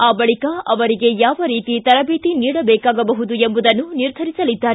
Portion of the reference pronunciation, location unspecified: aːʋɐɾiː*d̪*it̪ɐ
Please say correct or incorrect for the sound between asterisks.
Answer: incorrect